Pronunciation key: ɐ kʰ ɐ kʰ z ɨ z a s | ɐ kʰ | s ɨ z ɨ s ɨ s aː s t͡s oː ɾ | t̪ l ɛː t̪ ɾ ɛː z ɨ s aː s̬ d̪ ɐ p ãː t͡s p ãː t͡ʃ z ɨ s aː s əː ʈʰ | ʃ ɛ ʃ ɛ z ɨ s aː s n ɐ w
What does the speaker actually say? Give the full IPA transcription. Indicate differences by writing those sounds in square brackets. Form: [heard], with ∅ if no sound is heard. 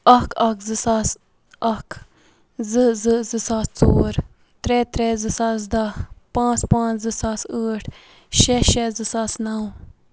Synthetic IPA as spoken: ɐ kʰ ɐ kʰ z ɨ [s] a s | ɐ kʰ | [z] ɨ z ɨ [z] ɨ s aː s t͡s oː ɾ | t̪ [ɾ] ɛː t̪ ɾ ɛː z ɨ s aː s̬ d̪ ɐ p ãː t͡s p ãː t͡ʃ z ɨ s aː s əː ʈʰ | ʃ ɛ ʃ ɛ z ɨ s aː s n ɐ w